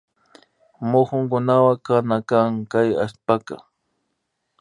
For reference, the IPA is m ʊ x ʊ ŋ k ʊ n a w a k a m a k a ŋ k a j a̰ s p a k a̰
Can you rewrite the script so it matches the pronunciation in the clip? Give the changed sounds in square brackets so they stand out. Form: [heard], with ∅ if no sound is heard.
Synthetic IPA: m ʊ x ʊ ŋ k ʊ n a w a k a [n] a k a ŋ k a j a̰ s p a k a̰